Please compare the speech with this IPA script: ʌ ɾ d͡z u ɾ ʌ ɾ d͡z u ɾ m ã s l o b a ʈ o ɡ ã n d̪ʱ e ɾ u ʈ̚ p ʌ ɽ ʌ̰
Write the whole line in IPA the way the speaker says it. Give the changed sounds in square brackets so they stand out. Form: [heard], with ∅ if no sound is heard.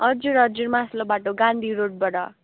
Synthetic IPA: ʌ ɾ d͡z u ɾ ʌ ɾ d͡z u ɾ m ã s l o b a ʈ o ɡ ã n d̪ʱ [i] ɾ [o] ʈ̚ [b] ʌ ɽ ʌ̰

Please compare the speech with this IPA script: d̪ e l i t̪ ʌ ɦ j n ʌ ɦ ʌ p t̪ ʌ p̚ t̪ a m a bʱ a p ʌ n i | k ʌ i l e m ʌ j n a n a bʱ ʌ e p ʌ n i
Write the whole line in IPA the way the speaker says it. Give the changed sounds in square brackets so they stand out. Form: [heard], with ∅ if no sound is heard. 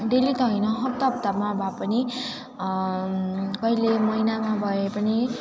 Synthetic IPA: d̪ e l i t̪ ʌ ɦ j n ʌ ɦ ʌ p t̪ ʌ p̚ t̪ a m a bʱ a p ʌ n i | k ʌ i l e m ʌ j n a [m] a bʱ ʌ e p ʌ n i

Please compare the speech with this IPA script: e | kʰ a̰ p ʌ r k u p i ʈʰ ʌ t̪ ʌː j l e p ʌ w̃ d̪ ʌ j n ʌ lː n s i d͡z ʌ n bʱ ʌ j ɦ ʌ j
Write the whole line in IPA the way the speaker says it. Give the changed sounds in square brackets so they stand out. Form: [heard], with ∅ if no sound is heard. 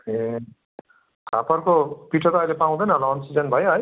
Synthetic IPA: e | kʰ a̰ p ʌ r k [o] p i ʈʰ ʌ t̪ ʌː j l e p [a] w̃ d̪ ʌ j n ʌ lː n s i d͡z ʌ n bʱ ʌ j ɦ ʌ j

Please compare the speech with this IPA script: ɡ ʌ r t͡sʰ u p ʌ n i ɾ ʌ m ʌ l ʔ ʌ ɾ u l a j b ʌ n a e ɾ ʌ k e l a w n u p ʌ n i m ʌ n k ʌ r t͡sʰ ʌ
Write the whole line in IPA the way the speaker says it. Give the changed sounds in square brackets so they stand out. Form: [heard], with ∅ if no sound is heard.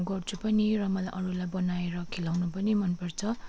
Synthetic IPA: ɡ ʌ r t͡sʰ u p ʌ n i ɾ ʌ m ʌ l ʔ ʌ ɾ u l a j b ʌ n a e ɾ ʌ [kʰ] e l a w n u p ʌ n i m ʌ n [p] ʌ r t͡sʰ ʌ

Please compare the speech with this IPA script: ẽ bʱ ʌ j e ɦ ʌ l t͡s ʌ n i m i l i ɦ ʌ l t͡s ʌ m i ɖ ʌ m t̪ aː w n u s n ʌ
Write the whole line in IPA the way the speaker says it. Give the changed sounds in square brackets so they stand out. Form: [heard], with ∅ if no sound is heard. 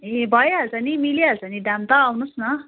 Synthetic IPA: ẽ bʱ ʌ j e ɦ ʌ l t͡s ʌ n i m i l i ɦ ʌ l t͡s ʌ [n] i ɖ [a] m t̪ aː w n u s n ʌ

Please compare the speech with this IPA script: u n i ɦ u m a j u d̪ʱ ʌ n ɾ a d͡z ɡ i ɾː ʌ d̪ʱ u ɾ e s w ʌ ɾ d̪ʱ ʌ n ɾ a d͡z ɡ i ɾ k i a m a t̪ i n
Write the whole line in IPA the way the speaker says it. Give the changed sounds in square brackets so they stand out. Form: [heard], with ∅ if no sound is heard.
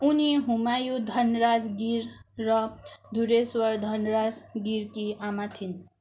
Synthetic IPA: u n i ɦ u m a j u d̪ʱ ʌ n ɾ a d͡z ɡ i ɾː ʌ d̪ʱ u ɾ e s w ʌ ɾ d̪ʱ ʌ n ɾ a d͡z ɡ i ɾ k i a m a [t̪ʰ] i n

